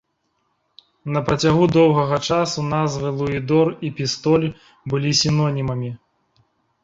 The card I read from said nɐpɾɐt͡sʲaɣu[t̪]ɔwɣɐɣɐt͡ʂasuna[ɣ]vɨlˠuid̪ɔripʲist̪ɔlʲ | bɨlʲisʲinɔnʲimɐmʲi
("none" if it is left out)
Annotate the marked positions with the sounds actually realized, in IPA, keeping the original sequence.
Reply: d̪, z

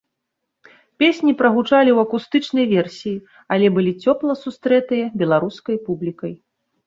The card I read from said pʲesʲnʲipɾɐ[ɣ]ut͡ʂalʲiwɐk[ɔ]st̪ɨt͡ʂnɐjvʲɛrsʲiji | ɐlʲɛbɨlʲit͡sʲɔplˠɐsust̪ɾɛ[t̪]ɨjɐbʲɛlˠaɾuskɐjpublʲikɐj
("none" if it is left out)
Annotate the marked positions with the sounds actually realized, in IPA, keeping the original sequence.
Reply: ɣ, u, t̪

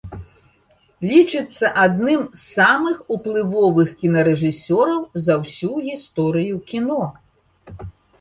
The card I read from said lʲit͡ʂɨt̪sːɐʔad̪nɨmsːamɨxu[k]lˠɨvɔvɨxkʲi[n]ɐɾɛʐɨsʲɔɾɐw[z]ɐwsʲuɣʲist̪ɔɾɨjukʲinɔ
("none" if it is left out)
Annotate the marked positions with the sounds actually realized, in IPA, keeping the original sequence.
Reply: p, n, z

